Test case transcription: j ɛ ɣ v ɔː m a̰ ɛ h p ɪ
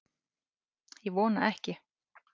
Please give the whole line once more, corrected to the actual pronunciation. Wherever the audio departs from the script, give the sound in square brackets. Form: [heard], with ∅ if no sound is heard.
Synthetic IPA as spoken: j ɛ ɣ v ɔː [n] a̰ ɛ h [c] ɪ